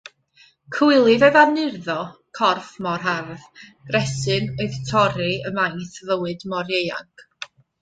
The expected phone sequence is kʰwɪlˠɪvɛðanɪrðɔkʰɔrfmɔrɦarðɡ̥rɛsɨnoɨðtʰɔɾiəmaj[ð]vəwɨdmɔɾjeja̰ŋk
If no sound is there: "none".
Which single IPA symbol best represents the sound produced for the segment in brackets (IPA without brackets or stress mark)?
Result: θ